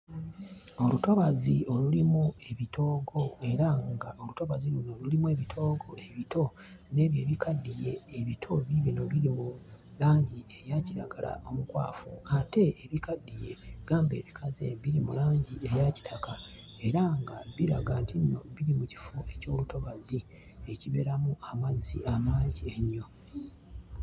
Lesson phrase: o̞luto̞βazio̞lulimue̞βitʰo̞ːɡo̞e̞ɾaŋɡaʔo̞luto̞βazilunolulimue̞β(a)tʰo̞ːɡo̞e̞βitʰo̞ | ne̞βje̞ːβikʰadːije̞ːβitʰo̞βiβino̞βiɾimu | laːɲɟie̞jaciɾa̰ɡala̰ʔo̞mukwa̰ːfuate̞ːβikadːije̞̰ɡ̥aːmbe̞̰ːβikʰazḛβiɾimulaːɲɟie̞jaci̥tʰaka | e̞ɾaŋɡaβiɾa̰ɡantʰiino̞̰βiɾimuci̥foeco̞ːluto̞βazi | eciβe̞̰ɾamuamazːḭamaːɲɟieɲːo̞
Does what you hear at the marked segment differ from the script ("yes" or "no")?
yes